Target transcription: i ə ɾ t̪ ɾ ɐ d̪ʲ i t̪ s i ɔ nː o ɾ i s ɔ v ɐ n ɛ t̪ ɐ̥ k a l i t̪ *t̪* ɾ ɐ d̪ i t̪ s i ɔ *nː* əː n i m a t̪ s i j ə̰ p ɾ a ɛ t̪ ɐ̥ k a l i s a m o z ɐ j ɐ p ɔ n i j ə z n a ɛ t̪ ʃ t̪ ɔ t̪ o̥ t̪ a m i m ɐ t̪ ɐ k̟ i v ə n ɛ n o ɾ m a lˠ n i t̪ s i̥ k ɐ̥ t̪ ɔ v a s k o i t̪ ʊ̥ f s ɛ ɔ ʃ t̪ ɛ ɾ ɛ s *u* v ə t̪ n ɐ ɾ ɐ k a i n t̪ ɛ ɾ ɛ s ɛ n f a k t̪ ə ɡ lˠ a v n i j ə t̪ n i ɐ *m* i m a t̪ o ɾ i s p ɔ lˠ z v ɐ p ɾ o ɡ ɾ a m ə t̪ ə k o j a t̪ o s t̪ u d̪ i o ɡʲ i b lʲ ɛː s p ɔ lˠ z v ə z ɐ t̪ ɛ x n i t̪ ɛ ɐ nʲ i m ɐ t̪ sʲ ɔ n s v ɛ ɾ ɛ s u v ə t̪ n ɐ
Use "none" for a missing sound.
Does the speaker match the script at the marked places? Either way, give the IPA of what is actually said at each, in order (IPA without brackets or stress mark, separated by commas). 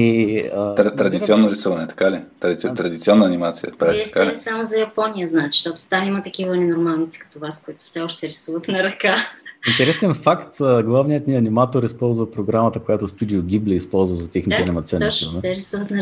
t̪, nː, u, n